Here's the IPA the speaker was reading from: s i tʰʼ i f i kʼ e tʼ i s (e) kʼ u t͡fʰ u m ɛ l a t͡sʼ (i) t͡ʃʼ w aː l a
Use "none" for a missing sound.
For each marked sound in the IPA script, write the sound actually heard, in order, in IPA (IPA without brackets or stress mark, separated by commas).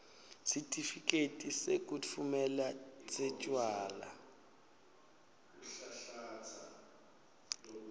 e, ɛ